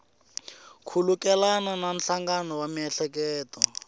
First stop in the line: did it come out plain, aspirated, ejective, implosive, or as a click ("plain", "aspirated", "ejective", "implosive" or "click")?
aspirated